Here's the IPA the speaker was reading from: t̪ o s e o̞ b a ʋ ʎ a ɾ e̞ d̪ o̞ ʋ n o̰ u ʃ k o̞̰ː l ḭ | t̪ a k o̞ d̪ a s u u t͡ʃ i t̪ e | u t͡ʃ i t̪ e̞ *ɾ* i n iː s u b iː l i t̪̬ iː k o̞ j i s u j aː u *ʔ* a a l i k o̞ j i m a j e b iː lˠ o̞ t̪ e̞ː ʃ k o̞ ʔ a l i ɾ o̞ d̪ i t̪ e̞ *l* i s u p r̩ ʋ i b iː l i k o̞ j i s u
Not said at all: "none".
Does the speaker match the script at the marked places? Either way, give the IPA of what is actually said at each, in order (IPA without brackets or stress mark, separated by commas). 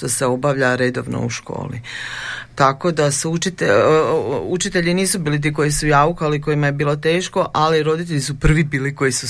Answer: ʎ, k, ʎ